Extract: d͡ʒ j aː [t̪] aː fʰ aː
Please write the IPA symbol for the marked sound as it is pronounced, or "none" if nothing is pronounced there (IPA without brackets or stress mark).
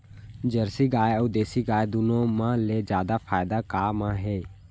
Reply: d̪